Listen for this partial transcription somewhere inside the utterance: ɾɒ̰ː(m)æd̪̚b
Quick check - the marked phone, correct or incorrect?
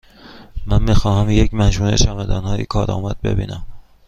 correct